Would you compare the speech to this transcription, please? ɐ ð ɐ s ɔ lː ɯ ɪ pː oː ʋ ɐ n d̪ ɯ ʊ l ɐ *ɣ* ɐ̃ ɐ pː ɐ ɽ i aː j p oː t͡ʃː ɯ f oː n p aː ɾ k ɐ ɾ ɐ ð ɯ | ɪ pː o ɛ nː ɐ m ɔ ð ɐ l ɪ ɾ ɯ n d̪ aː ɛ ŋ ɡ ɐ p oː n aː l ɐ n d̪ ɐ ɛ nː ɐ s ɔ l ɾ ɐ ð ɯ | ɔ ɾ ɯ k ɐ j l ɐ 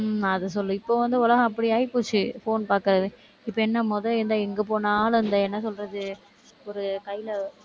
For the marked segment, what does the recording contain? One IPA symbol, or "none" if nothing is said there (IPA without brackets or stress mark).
ɣ